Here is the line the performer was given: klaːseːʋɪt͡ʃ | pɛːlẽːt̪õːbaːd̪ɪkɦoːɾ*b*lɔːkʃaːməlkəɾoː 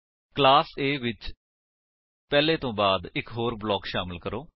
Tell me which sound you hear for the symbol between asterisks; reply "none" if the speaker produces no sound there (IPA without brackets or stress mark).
b